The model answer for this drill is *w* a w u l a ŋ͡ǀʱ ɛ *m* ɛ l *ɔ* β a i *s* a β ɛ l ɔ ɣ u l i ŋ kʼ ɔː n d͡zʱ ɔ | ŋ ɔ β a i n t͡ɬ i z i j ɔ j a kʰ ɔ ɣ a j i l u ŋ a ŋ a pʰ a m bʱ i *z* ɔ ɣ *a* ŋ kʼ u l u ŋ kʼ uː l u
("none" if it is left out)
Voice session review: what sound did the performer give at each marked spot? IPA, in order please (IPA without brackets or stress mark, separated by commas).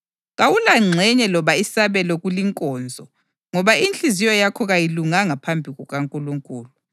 ɣ, ɲ, ɔ, s, ɣ, a